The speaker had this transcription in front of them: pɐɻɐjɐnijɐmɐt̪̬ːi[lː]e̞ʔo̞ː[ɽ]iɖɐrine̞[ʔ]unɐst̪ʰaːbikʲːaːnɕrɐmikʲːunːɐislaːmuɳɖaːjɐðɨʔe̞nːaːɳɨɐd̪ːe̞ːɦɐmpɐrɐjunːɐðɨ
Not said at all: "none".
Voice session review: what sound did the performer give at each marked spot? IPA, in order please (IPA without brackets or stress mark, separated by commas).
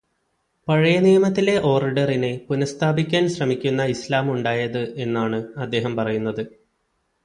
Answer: l, r, p